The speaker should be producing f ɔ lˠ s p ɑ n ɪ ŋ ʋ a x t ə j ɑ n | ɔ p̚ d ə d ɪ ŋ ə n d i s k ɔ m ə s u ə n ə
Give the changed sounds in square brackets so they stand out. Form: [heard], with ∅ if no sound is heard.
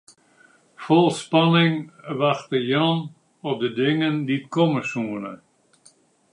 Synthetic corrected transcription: f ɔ lˠ s p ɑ n ɪ ŋ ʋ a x t ə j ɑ n | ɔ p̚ d ə d ɪ ŋ ə n d i [t] k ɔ m ə s u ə n ə

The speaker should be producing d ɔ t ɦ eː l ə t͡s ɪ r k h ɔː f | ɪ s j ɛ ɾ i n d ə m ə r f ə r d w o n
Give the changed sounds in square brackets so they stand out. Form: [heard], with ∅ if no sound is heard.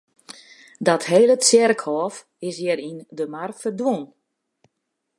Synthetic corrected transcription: d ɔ t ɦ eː l ə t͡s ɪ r k h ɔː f | ɪ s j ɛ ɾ i n d ə m [a] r f ə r d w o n

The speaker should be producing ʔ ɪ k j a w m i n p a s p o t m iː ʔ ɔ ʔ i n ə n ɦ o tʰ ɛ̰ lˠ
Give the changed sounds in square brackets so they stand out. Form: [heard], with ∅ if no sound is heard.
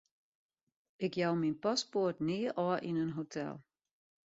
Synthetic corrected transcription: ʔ ɪ k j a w m i n p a s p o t [n] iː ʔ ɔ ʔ i n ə n ɦ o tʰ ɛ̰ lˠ

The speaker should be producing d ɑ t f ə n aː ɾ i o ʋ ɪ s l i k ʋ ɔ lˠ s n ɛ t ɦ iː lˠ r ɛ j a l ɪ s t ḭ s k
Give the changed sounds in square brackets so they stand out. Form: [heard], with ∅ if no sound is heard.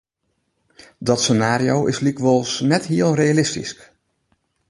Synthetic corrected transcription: d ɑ t [s] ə n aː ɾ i o [w] ɪ s l i k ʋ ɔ lˠ s n ɛ t ɦ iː lˠ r [e] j a l ɪ s t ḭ s k

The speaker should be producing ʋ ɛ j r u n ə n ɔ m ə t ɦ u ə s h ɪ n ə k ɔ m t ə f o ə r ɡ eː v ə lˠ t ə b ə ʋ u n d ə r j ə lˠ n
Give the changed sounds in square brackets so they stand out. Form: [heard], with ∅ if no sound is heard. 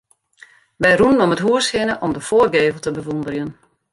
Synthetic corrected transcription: ʋ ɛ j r u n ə n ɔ m ə t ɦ u ə s h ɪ n ə [ʔ] ɔ m [d] ə f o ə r ɡ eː v ə lˠ t ə b ə ʋ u n d ə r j ə [∅] n

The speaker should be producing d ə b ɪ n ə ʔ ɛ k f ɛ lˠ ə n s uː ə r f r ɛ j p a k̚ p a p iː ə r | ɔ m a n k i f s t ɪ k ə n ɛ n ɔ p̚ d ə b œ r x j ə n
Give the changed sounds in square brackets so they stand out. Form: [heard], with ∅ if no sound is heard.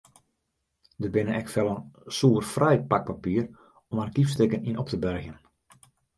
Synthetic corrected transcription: d ə b ɪ n ə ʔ ɛ k f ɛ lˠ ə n s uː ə r f r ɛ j p a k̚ p a p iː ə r | ɔ m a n k i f s t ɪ k ə n [i] n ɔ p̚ [t] ə b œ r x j ə n

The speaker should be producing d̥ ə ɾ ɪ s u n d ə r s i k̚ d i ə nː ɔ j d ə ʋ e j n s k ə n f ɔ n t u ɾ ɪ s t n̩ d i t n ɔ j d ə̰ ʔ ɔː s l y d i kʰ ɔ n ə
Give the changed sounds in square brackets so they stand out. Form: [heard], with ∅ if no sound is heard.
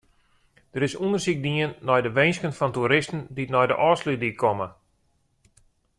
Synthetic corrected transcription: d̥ ə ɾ ɪ s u n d ə r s i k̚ d i ə nː ɔ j d ə ʋ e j n s k ə n f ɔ n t u ɾ ɪ s t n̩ d i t n ɔ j d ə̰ ʔ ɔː s l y d i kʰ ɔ [m] ə

